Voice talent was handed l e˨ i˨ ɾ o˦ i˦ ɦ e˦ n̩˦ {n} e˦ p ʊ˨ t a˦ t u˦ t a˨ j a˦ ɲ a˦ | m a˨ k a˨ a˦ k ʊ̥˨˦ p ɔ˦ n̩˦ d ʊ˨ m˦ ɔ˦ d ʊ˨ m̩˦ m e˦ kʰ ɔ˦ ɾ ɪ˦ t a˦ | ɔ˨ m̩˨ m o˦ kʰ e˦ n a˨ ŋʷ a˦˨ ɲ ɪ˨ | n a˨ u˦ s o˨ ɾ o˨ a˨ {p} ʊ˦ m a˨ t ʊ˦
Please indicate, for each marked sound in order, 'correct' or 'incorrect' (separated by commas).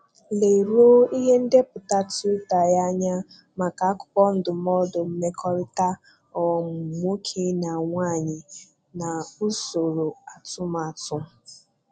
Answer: incorrect, incorrect